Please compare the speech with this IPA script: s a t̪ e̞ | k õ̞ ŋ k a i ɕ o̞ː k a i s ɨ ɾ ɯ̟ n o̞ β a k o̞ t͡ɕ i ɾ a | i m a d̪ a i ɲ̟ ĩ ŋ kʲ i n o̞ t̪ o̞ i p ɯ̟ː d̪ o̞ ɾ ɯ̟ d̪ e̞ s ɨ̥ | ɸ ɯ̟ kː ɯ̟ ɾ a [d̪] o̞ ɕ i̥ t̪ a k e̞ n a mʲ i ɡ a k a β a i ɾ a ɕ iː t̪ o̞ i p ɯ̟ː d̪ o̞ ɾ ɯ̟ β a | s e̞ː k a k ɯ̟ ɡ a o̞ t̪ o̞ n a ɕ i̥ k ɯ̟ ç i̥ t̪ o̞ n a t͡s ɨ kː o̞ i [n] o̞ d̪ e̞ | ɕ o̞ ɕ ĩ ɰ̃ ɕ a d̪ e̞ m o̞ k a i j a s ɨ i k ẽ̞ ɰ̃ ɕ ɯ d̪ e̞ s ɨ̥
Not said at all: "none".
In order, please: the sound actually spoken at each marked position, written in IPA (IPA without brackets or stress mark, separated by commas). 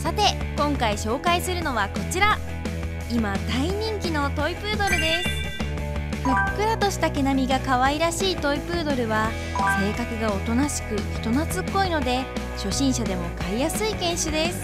t̪, n